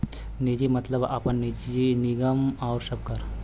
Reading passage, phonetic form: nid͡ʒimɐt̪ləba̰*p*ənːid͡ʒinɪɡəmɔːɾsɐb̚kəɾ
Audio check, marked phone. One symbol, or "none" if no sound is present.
p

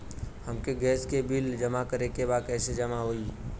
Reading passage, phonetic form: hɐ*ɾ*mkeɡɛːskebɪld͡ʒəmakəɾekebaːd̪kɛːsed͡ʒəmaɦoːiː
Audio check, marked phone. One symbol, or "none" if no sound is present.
none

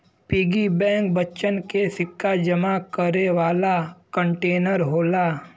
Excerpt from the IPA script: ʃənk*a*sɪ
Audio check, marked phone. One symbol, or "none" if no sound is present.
e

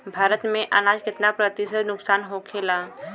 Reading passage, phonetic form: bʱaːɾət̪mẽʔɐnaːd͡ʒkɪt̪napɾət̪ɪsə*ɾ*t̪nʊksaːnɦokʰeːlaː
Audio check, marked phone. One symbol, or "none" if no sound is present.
none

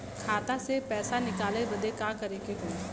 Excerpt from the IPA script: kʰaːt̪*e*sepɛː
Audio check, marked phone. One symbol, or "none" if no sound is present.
a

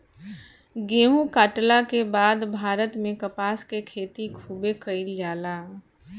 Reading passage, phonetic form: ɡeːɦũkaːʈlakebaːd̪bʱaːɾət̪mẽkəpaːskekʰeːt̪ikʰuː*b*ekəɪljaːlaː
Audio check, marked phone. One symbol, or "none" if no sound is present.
b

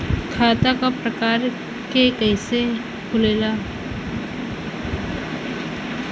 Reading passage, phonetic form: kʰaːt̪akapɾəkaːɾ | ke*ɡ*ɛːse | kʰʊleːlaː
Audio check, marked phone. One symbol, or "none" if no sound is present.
k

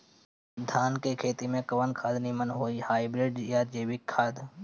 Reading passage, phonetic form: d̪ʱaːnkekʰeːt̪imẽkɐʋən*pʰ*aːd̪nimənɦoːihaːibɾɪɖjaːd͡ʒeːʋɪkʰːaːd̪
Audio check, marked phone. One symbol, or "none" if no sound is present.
kʰ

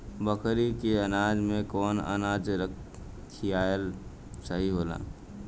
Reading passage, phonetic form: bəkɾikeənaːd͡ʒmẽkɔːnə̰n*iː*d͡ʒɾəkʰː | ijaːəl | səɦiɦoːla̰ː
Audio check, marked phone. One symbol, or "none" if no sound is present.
aː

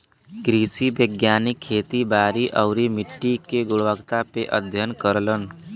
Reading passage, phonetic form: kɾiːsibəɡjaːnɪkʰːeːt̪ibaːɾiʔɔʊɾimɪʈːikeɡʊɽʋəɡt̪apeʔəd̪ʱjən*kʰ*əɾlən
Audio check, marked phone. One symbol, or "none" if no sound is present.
k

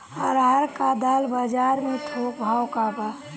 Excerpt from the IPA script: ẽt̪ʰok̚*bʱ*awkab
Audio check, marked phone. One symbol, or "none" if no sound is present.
bʱ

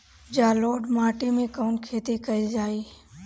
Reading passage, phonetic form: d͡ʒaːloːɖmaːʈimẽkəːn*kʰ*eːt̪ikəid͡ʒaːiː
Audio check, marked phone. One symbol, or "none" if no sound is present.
kʰ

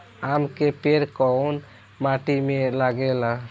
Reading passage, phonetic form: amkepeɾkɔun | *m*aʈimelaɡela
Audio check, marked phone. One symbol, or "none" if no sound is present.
m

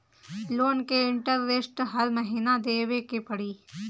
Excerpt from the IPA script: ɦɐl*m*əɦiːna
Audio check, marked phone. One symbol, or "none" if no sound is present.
m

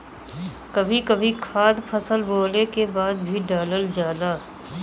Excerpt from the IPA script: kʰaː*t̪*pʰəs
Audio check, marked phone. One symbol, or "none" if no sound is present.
d̪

